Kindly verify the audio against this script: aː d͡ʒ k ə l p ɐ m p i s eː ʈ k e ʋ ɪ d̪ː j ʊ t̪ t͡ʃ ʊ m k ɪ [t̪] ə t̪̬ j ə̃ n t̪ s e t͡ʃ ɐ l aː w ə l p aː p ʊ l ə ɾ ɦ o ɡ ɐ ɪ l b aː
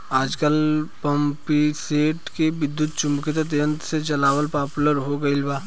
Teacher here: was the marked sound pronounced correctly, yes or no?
yes